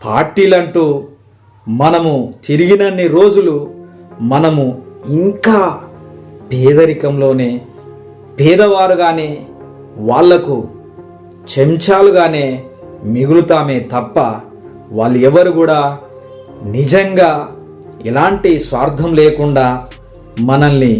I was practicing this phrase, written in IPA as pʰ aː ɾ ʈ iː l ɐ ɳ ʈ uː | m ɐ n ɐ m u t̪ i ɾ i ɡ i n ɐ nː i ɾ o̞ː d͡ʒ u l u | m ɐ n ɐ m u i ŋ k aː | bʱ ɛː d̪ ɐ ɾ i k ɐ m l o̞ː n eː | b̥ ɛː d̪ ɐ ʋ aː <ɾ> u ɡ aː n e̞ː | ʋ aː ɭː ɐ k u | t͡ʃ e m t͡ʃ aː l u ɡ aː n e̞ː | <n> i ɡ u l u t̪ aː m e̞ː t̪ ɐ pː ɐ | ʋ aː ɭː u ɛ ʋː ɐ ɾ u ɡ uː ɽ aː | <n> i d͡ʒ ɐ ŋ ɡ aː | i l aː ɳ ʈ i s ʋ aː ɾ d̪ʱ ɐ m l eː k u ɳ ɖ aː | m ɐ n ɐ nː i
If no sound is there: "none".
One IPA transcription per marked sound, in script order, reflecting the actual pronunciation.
ɾ, m, n

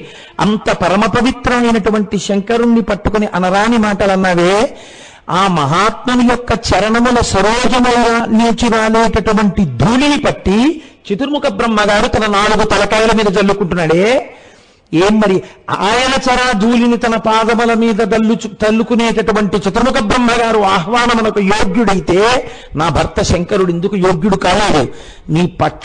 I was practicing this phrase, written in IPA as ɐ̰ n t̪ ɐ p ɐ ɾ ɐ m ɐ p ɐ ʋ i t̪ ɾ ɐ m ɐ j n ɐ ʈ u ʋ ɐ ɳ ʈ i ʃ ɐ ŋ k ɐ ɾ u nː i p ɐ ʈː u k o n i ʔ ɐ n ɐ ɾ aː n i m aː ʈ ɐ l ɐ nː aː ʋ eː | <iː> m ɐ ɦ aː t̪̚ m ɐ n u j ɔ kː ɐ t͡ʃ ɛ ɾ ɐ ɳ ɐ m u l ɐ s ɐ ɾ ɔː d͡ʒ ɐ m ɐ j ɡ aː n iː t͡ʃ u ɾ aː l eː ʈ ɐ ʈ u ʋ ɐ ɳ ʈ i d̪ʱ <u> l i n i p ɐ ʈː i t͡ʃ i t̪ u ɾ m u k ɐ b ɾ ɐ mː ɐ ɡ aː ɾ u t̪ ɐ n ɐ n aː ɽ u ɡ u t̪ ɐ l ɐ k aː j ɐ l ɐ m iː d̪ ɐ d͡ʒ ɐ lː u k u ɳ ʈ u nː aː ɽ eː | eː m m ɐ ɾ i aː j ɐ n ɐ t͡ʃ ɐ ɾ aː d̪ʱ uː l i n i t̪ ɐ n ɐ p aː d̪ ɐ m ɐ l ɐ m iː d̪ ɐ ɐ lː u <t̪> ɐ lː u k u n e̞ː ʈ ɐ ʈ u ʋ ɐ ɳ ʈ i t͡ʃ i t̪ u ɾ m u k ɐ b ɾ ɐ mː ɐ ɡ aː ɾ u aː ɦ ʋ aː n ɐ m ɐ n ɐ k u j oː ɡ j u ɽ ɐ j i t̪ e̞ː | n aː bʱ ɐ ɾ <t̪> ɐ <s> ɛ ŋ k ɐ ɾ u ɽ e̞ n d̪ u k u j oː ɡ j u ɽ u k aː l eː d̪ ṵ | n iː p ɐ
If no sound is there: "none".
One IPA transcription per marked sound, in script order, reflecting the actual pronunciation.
aː, uː, t̪, t̪, ʃ

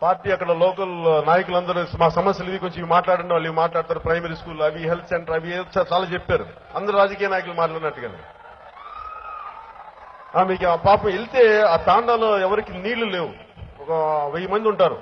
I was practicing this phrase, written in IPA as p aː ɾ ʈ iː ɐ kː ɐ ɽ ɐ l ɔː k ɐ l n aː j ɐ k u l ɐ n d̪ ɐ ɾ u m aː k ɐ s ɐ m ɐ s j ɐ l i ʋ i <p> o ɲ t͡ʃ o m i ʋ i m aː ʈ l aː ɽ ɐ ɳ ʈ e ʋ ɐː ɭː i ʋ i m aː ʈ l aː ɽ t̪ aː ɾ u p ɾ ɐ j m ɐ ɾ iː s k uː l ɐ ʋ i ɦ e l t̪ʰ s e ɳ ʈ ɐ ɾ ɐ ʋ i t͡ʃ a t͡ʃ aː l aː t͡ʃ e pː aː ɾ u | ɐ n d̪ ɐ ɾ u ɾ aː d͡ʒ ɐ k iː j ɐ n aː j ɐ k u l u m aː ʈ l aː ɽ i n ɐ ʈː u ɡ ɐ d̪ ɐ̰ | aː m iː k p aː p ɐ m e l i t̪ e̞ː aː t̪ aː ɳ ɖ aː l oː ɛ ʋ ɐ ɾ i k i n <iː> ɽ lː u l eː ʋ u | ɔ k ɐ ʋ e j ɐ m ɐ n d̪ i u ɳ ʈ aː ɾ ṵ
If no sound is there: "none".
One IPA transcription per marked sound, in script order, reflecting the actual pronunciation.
k, iː

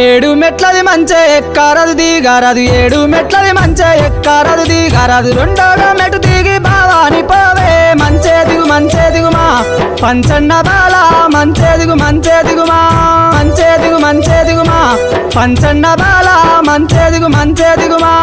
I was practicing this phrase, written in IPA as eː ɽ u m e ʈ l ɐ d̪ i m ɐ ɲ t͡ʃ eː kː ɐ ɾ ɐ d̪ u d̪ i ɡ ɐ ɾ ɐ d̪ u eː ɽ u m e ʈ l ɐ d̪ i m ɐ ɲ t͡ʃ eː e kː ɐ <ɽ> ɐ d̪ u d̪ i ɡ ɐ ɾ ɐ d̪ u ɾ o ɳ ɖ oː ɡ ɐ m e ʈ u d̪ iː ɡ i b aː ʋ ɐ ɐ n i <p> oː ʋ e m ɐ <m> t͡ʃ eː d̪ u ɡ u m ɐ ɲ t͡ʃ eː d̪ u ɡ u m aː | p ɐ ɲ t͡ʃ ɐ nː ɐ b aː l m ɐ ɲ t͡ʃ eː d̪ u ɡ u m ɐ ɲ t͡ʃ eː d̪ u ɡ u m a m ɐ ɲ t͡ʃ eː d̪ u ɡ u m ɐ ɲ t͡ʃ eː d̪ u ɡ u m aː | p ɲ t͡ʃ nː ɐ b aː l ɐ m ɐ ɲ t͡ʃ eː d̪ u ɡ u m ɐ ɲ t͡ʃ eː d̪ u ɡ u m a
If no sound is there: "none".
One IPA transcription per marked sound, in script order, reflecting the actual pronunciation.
ɾ, p, ɲ

